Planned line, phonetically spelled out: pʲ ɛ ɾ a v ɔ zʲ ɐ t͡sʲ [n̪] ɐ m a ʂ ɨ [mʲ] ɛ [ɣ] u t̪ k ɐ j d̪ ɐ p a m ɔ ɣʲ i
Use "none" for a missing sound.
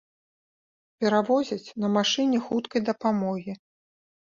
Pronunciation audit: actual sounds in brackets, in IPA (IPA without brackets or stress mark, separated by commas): n̪, nʲ, x